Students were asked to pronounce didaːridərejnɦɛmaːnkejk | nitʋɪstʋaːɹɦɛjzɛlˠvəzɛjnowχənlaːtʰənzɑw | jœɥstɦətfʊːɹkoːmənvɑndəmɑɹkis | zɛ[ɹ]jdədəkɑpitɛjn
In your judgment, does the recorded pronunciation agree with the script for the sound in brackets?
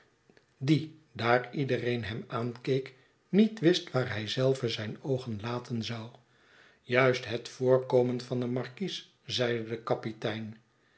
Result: no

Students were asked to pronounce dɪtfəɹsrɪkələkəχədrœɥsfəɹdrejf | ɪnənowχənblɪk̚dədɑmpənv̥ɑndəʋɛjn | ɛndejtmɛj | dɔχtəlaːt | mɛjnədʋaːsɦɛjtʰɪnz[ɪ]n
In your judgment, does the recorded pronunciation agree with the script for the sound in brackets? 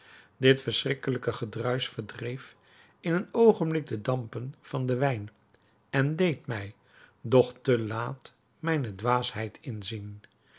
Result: no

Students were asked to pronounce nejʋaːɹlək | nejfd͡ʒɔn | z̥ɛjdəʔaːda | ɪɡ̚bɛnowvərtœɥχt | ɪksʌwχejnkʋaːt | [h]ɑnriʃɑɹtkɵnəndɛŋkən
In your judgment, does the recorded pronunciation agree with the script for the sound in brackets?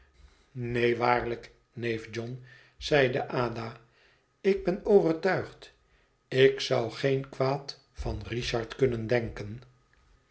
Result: no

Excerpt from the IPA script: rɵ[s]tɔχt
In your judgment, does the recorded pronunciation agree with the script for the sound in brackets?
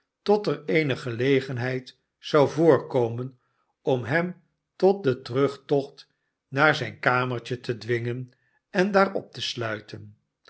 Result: no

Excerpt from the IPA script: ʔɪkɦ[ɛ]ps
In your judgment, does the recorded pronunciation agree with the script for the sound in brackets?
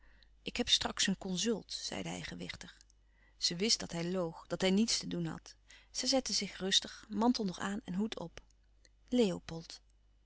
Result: yes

